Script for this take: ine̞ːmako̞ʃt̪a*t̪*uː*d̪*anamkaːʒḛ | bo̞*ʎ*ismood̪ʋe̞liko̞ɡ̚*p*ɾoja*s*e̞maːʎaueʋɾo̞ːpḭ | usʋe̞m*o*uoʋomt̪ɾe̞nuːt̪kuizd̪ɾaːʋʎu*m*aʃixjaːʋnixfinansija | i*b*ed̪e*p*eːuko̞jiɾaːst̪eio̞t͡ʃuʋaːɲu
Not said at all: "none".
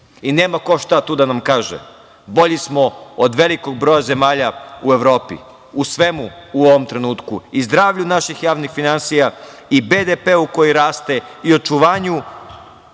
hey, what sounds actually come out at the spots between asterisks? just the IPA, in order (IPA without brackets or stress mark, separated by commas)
t̪, d̪, ʎ, b, z, u, n, b, p